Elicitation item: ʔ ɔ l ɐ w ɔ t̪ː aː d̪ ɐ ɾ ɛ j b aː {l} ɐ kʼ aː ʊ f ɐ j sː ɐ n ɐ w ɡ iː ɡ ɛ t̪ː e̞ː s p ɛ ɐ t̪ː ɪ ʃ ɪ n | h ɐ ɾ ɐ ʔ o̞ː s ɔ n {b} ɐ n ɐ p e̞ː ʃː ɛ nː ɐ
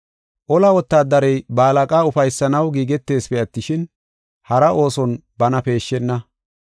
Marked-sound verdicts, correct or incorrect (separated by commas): correct, correct